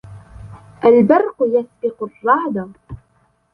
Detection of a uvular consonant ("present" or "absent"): present